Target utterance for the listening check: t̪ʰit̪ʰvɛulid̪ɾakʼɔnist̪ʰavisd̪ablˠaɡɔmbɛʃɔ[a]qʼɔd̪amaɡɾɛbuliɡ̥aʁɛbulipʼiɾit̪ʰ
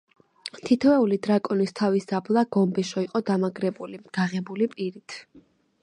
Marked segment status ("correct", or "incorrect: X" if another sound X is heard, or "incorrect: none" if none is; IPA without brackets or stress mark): incorrect: i